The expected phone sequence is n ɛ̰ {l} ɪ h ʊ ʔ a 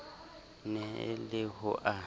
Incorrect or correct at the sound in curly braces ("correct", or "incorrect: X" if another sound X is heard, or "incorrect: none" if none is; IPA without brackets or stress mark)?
correct